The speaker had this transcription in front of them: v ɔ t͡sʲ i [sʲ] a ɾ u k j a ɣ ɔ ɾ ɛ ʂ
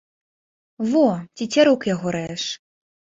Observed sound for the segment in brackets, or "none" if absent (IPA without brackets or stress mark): t͡sʲ